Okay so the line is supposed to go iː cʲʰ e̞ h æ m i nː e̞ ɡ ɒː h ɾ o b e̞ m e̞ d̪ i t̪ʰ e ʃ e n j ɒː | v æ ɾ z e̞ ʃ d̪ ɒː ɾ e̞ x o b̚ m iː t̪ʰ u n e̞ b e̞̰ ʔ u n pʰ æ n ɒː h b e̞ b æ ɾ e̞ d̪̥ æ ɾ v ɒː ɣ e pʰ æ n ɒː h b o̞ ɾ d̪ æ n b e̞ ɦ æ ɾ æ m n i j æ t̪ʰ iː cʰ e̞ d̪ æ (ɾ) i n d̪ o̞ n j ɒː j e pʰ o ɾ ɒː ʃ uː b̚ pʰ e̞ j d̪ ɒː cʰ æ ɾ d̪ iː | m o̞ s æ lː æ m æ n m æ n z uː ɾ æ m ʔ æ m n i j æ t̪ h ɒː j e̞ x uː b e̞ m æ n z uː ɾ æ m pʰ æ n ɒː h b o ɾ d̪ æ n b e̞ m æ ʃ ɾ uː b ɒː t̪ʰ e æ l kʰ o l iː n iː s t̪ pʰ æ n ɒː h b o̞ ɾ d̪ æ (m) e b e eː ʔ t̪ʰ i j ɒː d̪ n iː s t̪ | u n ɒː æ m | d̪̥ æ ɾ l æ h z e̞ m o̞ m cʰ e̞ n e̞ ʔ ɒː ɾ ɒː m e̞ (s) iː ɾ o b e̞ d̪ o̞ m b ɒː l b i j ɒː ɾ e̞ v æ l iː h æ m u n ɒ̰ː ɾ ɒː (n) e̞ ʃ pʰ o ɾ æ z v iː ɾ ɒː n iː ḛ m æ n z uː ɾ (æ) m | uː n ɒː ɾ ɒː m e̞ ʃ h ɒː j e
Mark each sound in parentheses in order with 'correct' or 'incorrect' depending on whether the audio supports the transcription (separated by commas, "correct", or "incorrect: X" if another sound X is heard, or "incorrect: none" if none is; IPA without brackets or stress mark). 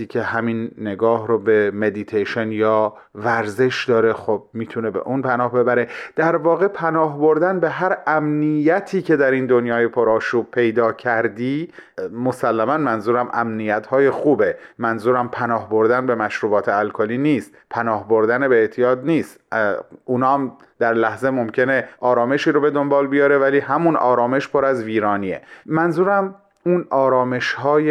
correct, incorrect: n, incorrect: ʃ, incorrect: m, correct